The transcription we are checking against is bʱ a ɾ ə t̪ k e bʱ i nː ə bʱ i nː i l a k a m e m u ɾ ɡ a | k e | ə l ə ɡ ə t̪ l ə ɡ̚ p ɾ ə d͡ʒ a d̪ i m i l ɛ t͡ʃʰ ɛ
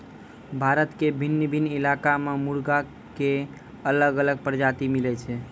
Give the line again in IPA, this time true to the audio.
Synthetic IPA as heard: bʱ a ɾ ə t̪ k e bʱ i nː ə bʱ i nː i l a k a m e m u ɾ ɡ a | k e | ə l ə ɡ ə l ə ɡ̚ p ɾ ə d͡ʒ a t̪ i m i l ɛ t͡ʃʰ ɛ

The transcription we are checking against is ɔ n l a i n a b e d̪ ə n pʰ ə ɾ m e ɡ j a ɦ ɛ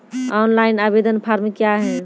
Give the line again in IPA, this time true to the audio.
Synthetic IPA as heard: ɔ n l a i n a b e d̪ ə n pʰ a ɾ m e k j a ɦ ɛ

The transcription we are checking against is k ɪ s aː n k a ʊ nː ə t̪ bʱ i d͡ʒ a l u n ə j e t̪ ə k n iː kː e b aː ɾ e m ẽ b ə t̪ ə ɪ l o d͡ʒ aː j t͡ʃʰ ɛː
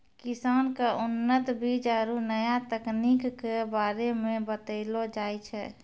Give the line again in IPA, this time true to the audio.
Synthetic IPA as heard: k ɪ s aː n k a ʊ nː ə t̪ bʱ i d͡ʒ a ɾ u n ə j a t̪ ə k n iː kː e b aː ɾ e m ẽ b ə t̪ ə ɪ l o d͡ʒ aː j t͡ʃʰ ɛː

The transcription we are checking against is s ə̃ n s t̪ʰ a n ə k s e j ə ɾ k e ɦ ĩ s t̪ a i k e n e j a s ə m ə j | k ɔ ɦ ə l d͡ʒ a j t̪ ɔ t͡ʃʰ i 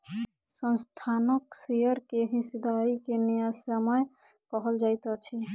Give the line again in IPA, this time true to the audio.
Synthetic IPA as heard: s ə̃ n s t̪ʰ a n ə k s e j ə ɾ k e ɦ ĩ s d̪ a i k e n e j a s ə m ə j | k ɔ ɦ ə l d͡ʒ a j t̪ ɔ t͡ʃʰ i

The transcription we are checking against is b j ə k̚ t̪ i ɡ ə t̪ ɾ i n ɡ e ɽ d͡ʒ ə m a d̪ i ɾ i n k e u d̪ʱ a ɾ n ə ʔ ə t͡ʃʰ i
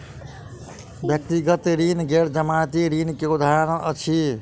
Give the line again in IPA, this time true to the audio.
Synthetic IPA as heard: b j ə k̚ t̪ i ɡ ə t̪ ɾ i n ɡ e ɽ d͡ʒ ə m a t̪ i ɾ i n k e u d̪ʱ a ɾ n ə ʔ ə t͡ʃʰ i

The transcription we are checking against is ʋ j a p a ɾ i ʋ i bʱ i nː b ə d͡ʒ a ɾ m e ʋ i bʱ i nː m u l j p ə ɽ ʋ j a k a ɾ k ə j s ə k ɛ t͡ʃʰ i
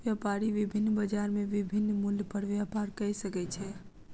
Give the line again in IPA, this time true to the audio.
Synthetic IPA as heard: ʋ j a p a ɾ i ʋ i bʱ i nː b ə d͡ʒ a ɾ m e ʋ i bʱ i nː m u l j p ə ɽ ʋ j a p a ɾ k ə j s ə k ɛ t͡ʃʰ ɛ

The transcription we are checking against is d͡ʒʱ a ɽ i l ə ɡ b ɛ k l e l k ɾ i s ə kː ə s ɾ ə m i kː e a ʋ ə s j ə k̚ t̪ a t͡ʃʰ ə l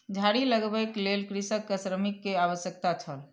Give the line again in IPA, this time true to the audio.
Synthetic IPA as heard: d͡ʒʱ a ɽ i l ə ɡ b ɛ k l e l k ɾ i s ə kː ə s ɾ ə m i kː e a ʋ ə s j ə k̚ t̪ a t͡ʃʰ ə l

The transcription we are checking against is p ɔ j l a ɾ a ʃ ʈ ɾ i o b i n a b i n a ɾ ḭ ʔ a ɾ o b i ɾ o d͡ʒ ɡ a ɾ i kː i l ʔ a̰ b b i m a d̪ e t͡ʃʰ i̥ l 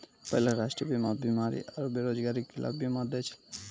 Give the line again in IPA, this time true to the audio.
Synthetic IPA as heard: p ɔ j l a ɾ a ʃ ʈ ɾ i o b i m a b i m a ɾ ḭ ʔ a ɾ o b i ɾ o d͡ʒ ɡ a ɾ i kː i l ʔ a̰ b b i m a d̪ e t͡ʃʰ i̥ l

